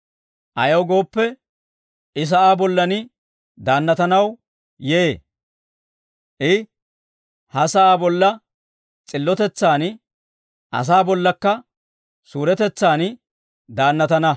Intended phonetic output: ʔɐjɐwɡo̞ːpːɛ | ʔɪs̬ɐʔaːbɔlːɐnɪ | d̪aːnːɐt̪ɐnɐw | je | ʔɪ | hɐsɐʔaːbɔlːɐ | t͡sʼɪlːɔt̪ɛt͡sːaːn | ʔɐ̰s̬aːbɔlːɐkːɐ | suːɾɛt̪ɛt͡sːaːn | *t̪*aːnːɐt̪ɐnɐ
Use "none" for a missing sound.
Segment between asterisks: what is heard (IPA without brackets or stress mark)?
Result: d̪